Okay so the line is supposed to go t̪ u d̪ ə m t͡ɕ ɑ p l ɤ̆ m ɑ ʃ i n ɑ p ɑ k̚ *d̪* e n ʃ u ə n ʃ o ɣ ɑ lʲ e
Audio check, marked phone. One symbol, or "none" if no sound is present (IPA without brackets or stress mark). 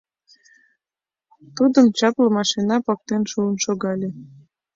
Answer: t̪